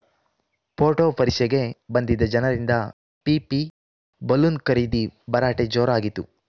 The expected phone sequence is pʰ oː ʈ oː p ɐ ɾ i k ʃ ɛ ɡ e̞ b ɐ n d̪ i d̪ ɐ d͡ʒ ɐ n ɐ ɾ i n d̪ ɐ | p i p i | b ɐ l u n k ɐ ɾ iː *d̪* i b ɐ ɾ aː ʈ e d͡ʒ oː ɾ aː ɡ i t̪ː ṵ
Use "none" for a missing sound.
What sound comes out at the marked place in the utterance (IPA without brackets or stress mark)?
d̪